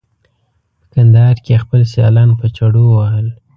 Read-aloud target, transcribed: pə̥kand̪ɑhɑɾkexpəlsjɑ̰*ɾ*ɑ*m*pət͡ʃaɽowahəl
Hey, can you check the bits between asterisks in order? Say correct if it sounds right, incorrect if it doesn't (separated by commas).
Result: incorrect, incorrect